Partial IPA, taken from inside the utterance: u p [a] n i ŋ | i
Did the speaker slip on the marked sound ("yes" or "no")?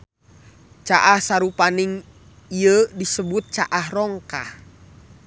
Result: no